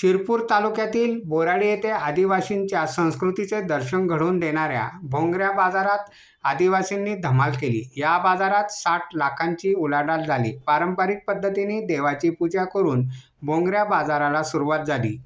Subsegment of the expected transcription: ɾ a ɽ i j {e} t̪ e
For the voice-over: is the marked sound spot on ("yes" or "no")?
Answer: yes